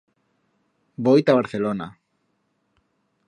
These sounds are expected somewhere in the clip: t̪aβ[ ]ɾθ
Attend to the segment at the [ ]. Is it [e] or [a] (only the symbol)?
a